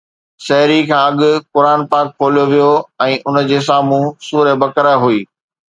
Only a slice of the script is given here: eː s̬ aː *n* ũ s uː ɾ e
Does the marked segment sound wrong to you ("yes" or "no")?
yes